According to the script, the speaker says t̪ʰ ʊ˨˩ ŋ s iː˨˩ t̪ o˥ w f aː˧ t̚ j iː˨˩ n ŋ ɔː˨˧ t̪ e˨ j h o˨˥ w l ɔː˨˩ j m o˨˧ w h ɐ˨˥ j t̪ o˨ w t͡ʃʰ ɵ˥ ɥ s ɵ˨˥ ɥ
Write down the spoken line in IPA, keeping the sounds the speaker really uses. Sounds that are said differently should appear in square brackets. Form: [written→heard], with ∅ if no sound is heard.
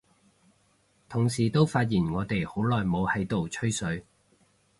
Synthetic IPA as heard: t̪ʰ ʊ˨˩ ŋ s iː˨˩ t̪ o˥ w f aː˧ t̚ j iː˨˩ n ŋ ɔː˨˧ t̪ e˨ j h o˨˥ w l ɔː˨˩ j m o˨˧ w h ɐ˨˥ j t̪ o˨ w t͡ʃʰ ɵ˥ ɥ s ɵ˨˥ ɥ